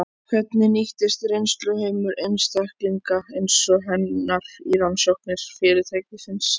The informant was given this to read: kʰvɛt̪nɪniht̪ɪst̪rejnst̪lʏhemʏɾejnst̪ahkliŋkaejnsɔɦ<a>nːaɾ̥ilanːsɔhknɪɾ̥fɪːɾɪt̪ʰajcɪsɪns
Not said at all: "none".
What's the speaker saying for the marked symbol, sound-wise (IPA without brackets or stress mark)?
ɛ